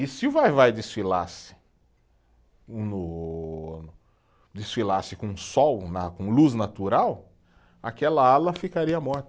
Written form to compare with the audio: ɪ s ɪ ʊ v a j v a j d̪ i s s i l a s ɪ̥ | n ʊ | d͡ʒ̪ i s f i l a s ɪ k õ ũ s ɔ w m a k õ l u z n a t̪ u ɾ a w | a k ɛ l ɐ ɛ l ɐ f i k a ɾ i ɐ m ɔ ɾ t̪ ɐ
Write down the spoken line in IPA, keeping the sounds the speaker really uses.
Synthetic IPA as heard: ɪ s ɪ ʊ v a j v a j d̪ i s f i l a s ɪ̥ | n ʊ | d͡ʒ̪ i s f i l a s ɪ k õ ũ s ɔ w n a k õ l u z n a t̪ u ɾ a w | a k ɛ l ɐ a l ɐ f i k a ɾ i ɐ m ɔ ɾ t̪ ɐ